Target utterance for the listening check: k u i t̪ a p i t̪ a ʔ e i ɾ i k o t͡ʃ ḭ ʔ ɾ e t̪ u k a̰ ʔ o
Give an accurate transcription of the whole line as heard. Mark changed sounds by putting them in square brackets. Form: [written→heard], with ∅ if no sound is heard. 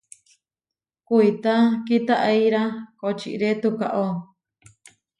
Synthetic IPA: k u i t̪ a [p→k] i t̪ a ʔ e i ɾ [i→a] k o t͡ʃ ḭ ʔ ɾ e t̪ u k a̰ ʔ o

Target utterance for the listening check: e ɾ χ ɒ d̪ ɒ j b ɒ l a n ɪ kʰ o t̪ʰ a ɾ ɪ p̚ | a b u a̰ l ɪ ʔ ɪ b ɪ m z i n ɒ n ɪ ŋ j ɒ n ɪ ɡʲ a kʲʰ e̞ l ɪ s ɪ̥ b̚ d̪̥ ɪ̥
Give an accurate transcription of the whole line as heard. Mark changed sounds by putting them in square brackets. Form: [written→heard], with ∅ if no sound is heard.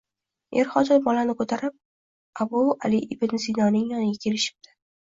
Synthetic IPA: e ɾ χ ɒ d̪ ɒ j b ɒ l a n ɪ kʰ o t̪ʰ a ɾ ɪ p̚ | a b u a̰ l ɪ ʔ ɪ b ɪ [m→n] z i n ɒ n ɪ ŋ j ɒ n ɪ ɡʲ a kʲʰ e̞ l ɪ [s→ʃ] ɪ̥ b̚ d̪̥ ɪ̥

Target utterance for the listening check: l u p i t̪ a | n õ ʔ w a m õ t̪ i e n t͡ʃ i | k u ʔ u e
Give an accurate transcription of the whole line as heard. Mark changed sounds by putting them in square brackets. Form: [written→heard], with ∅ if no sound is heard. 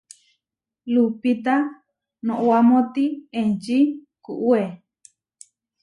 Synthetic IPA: l u p i t̪ a | n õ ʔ w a m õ t̪ i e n t͡ʃ i | k u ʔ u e

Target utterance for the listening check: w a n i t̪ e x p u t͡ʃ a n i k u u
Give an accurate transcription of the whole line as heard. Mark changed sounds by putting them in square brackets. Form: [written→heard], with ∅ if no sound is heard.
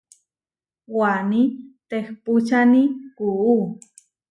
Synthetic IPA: w a n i t̪ e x p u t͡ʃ a n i k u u

